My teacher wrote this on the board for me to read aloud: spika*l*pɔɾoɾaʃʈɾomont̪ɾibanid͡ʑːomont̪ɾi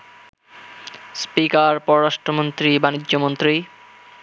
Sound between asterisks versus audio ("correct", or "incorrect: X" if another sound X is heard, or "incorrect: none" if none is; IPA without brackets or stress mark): incorrect: ɾ